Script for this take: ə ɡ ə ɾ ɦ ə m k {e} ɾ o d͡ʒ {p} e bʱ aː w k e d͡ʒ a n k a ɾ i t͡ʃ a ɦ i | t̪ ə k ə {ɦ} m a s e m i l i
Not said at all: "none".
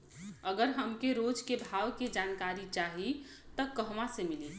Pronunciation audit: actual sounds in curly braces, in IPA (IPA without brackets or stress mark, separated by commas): e, k, ɦ